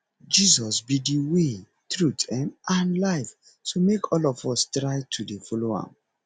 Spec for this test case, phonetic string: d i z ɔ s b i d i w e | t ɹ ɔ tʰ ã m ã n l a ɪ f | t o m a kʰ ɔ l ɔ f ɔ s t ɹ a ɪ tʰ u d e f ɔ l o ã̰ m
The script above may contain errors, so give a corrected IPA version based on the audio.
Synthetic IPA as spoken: d͡ʒ i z ɔ s b i d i w e | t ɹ u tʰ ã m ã n l a ɪ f | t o m e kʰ ɔ l ɔ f ɔ s t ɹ a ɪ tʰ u d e f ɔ l o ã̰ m